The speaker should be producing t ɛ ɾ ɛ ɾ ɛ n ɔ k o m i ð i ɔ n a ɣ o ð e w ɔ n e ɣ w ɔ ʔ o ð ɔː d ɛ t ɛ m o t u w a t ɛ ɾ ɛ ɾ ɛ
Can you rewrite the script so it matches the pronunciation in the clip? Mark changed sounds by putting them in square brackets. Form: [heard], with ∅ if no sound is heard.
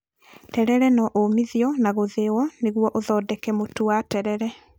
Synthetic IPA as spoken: t ɛ ɾ ɛ ɾ ɛ n ɔ [ʔ] o m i ð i ɔ n a ɣ o ð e w ɔ n e ɣ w ɔ ʔ o ð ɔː d ɛ [k] ɛ m o t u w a t ɛ ɾ ɛ ɾ ɛ